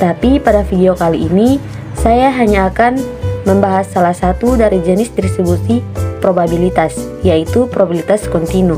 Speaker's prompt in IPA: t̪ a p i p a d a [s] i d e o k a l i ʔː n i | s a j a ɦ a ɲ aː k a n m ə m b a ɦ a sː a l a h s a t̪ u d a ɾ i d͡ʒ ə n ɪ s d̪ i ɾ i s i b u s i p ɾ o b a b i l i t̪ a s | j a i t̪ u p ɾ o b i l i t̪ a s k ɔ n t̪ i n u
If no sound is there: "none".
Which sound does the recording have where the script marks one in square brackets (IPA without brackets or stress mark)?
f